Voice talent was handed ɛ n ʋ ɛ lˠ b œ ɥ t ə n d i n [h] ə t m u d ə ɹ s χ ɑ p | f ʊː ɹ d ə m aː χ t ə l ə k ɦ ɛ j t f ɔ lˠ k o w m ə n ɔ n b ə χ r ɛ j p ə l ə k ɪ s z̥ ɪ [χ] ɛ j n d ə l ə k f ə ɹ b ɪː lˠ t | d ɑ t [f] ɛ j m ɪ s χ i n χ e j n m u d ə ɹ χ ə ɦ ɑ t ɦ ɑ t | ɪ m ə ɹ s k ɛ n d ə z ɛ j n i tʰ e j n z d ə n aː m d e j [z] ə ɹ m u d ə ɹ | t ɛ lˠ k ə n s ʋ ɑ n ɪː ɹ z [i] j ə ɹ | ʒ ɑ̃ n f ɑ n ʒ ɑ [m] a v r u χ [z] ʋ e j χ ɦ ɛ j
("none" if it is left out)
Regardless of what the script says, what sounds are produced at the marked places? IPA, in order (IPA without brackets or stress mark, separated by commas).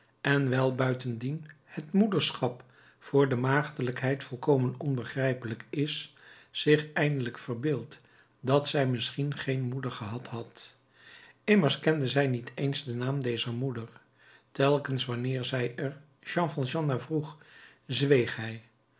h, χ, s, z, ɛ, n, z